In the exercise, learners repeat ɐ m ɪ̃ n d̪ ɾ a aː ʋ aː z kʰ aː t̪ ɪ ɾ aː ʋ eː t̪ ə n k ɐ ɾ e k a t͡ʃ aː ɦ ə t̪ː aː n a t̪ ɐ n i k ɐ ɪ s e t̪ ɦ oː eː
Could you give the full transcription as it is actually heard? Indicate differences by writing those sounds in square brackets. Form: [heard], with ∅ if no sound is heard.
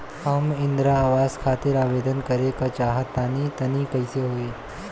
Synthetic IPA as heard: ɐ m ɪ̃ n d̪ ɾ a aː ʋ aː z kʰ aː t̪ ɪ ɾ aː ʋ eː [d̪] ə n k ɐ ɾ e k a t͡ʃ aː ɦ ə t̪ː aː n [i] t̪ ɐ n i k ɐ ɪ s e [∅] ɦ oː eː